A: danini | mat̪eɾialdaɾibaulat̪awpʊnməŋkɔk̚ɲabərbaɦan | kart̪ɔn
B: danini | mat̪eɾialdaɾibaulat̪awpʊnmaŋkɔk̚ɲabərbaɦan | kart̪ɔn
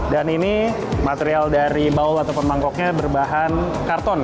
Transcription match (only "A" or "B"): B